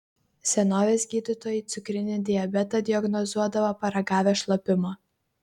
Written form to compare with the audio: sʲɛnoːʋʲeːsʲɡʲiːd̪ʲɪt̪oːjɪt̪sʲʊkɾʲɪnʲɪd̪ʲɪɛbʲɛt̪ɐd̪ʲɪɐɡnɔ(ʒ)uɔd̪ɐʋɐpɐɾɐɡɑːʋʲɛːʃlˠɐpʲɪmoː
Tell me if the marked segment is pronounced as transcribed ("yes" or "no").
no